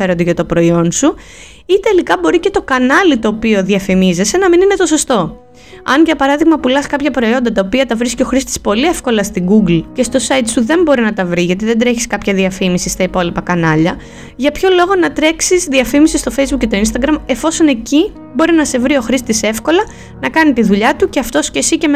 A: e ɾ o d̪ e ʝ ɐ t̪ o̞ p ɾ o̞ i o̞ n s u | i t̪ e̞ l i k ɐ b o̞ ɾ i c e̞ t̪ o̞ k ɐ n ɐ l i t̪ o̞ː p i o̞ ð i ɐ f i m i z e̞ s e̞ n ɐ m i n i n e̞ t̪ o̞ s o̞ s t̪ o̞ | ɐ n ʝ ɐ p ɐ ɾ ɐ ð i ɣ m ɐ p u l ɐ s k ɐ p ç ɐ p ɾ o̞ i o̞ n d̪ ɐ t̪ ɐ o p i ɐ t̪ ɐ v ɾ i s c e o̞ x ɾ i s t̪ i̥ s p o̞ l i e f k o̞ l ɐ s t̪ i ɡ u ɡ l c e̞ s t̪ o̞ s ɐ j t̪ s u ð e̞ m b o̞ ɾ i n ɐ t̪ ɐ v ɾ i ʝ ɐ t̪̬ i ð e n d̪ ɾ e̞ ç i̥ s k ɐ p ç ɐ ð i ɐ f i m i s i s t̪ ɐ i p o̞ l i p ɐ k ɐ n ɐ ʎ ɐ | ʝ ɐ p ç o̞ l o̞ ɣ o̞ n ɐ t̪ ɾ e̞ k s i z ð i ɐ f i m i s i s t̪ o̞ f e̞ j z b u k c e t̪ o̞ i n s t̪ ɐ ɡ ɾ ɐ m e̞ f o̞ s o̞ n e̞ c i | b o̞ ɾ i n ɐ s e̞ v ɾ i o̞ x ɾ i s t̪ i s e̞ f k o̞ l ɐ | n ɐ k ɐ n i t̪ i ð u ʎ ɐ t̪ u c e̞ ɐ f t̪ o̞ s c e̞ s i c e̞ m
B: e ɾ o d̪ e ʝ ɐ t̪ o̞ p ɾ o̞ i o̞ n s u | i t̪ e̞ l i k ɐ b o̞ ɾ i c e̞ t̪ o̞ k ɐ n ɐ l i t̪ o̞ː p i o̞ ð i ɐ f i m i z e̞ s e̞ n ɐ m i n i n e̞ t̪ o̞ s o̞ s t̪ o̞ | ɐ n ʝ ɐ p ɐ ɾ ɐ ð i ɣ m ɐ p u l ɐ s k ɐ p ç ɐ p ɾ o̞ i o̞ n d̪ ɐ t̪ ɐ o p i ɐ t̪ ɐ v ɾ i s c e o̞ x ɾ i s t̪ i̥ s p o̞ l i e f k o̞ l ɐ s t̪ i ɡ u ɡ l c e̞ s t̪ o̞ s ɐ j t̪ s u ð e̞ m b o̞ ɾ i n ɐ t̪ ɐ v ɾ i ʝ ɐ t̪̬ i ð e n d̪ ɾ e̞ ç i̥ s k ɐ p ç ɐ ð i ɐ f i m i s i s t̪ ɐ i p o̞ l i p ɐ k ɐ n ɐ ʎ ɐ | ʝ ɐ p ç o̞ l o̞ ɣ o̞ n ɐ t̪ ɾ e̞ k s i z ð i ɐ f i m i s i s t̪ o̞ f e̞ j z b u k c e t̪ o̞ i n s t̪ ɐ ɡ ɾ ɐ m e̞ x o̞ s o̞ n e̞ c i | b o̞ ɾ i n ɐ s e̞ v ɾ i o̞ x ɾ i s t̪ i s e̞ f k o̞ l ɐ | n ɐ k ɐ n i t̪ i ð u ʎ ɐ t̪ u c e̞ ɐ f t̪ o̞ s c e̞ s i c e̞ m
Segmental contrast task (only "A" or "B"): A